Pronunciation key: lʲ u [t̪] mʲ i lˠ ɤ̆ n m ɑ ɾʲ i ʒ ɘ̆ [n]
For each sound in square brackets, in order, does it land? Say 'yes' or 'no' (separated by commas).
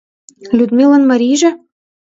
no, no